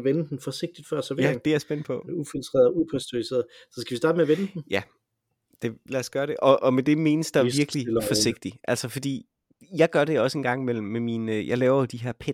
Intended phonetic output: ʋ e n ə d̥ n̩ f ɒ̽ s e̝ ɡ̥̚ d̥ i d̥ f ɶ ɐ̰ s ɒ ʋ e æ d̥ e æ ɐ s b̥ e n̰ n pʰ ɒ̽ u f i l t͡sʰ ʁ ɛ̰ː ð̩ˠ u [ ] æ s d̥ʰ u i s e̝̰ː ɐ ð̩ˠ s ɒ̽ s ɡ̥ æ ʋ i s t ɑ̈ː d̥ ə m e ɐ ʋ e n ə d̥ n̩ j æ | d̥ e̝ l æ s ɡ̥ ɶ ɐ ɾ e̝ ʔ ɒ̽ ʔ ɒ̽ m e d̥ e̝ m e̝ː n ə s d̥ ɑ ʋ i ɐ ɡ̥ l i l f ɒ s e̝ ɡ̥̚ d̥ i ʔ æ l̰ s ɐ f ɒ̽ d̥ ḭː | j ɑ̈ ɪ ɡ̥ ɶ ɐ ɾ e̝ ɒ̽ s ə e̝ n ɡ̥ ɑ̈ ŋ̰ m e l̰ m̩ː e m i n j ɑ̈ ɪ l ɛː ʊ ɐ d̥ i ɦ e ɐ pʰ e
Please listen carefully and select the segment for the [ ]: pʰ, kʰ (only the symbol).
pʰ